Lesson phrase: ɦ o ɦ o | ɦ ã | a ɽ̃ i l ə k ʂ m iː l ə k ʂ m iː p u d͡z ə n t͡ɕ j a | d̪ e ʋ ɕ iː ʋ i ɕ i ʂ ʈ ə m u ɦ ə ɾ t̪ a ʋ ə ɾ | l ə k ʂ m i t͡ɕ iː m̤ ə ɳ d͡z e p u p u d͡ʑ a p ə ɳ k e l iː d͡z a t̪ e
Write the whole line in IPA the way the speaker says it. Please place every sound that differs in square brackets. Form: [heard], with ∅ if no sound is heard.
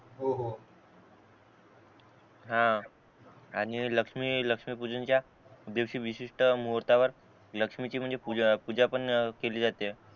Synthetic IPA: ɦ o ɦ o | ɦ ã | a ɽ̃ i l ə k ʂ m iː l ə k ʂ m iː p u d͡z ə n t͡ɕ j a | d̪ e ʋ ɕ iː ʋ i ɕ i ʂ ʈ ə m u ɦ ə ɾ t̪ a ʋ ə ɾ | l ə k ʂ m i t͡ɕ iː m̤ ə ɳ d͡z e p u p u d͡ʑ a p ə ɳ k e l iː d͡z a t̪ e